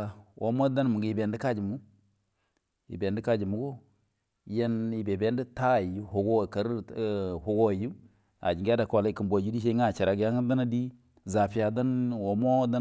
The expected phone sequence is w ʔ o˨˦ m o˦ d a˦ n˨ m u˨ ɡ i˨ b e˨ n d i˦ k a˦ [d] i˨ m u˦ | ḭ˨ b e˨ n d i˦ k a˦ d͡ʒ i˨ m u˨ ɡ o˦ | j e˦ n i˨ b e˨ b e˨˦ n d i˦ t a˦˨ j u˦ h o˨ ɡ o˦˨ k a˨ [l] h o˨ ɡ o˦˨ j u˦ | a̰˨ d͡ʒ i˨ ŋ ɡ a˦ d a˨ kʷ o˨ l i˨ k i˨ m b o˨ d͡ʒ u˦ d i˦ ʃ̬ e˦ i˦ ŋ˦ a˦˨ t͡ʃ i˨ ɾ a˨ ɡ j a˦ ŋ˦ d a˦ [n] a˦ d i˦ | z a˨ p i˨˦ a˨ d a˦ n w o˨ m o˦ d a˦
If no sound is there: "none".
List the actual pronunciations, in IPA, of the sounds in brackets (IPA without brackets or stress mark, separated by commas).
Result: d͡ʒ, ɾ, n